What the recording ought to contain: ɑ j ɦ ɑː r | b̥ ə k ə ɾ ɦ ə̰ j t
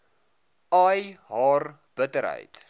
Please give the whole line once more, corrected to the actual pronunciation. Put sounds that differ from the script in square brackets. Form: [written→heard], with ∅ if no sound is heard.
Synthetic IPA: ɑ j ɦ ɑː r | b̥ ə [k→t] ə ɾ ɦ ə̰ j t

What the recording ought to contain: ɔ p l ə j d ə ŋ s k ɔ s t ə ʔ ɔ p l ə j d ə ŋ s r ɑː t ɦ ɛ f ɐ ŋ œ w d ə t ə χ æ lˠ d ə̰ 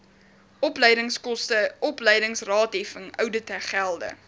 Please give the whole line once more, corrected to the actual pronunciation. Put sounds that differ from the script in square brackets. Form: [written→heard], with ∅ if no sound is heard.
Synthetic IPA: ɔ p l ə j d ə ŋ s k ɔ s t ə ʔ ɔ p l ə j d ə ŋ s r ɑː t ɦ ɛ f [ɐ→ə] ŋ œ w d ə t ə χ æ lˠ d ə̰

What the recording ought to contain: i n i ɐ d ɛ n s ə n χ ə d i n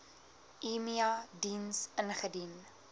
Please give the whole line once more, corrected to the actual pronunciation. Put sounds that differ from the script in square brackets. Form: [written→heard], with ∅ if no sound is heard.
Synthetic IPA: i [n→m] i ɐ d [ɛ→i] n s ə n χ ə d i n

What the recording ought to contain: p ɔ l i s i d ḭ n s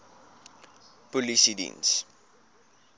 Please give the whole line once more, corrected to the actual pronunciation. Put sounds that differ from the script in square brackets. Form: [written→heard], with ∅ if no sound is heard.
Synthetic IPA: p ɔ l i s i d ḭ n s

